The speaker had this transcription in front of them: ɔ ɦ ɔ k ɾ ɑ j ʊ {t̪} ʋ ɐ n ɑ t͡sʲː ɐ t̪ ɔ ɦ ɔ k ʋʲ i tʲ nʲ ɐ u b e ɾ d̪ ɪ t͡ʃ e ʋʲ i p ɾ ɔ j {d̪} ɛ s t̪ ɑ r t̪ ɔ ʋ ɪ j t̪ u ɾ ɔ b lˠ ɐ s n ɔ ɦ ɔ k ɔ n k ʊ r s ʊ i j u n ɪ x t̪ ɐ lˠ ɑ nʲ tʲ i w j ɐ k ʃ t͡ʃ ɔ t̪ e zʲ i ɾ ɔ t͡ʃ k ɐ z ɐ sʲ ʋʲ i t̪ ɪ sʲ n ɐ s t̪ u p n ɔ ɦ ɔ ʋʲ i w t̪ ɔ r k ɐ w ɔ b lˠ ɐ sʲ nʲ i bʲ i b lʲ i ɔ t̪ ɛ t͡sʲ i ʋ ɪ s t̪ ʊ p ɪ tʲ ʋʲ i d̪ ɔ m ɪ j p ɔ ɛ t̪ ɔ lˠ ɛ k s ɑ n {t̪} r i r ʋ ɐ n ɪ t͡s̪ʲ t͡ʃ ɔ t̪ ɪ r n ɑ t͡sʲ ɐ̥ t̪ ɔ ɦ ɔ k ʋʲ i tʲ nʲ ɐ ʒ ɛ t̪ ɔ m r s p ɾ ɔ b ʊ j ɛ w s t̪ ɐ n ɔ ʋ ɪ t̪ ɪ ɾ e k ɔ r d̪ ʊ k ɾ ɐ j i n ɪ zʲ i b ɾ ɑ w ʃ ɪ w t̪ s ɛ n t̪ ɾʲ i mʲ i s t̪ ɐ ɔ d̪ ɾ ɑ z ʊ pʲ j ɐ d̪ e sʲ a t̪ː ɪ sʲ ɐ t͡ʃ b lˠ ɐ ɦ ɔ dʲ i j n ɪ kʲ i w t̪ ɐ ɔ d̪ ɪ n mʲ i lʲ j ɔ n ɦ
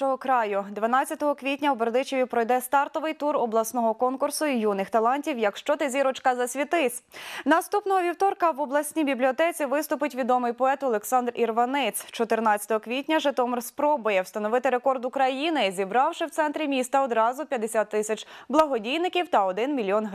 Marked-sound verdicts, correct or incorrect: incorrect, correct, incorrect

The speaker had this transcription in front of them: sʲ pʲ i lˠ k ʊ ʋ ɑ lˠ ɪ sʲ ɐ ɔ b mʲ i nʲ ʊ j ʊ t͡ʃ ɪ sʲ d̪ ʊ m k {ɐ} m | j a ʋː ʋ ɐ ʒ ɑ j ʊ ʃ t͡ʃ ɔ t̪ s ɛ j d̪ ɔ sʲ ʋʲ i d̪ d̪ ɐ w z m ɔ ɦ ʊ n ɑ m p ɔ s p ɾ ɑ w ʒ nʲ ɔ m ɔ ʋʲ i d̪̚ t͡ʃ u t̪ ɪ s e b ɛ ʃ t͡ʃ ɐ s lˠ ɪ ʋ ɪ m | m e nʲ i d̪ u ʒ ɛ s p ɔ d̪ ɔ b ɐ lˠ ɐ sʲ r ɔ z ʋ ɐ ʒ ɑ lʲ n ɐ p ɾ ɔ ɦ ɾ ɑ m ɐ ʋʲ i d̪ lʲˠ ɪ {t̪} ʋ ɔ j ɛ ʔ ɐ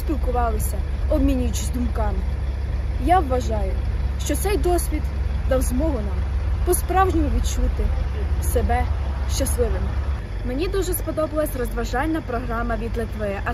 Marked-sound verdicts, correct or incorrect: incorrect, correct

